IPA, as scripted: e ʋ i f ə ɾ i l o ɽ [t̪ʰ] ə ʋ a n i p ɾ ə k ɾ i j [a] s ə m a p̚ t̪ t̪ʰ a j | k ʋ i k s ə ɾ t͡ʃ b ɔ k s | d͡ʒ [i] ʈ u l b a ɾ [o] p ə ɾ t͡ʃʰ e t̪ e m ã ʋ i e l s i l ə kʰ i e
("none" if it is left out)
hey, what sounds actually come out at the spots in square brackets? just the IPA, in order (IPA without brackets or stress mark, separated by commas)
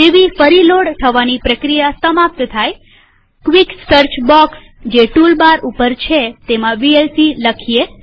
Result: t̪ʰ, a, e, u